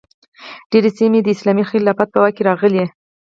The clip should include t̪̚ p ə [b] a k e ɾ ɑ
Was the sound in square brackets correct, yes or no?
no